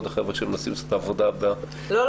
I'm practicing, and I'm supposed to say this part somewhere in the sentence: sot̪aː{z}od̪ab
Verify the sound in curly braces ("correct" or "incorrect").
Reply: incorrect